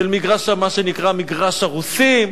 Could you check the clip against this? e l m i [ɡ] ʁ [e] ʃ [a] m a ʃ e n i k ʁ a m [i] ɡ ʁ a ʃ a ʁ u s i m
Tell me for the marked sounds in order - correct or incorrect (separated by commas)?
correct, incorrect, correct, correct